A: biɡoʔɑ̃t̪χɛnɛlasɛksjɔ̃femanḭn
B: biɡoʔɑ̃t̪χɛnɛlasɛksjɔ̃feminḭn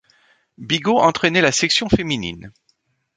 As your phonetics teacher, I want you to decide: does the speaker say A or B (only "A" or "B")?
B